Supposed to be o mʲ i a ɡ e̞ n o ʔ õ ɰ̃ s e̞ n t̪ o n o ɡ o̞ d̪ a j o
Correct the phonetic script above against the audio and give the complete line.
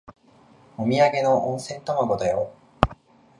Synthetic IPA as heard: o mʲ i a ɡ e̞ n o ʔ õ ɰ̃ s ẽ̞ n t̪ o m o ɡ o̞ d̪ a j o